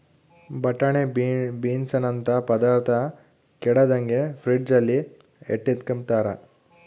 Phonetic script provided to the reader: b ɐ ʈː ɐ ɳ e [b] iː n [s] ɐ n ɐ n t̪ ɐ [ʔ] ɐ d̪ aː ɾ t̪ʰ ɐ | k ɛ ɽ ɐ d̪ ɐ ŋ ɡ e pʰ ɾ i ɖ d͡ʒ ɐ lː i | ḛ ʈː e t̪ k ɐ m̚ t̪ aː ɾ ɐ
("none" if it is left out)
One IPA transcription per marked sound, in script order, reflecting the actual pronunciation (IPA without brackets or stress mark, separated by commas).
b, s, p